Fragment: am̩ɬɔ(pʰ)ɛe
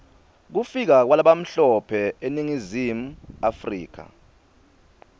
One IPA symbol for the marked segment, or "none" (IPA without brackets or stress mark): pʰ